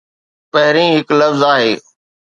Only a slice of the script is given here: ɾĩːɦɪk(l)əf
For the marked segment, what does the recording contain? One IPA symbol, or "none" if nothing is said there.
l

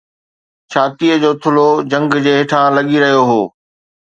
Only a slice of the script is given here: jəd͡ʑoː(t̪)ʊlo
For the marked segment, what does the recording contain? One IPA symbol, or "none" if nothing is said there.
t̪ʰ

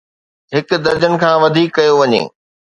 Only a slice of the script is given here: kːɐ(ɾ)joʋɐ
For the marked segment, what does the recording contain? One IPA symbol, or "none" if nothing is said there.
none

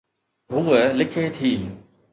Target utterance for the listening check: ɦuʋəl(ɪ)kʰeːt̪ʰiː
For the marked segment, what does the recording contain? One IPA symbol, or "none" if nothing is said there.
ɪ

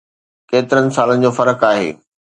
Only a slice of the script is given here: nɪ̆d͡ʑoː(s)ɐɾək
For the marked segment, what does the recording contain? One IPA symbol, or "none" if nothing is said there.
f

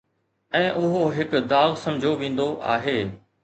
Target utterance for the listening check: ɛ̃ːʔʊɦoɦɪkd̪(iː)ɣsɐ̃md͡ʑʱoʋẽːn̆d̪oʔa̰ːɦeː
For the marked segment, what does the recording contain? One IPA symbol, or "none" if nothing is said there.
aː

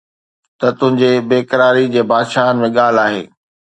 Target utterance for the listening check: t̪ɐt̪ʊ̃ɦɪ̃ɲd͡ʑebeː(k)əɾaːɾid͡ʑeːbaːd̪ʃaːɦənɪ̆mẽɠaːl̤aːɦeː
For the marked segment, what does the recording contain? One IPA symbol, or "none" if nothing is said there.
k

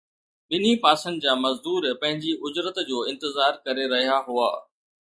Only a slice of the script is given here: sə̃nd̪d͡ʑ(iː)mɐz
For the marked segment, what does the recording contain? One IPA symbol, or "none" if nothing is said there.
aː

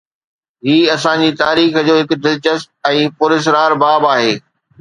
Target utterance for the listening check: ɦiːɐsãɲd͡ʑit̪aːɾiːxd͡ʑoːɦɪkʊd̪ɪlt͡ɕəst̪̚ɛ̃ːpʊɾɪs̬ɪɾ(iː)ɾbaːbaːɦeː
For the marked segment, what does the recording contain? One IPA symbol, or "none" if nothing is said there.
aː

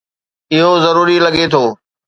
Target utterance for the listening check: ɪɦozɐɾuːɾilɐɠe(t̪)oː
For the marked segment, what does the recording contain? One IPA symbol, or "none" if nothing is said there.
t̪ʰ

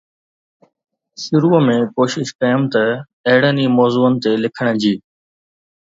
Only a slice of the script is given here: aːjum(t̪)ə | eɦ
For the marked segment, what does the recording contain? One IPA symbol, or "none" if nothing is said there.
t̪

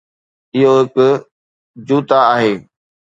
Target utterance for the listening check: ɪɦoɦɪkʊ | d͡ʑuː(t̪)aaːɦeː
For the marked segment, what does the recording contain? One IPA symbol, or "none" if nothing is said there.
t̪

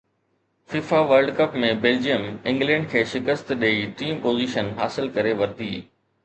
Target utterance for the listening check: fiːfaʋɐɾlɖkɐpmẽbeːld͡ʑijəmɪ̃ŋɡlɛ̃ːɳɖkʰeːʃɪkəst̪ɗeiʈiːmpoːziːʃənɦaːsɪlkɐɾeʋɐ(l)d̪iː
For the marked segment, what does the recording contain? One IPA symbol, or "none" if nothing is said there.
ɾ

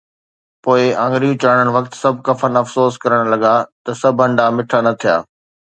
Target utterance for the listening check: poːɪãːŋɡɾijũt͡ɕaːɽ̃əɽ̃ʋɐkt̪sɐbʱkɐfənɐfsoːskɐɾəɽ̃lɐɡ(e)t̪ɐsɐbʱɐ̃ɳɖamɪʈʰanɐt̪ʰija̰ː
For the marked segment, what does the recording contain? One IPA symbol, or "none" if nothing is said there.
a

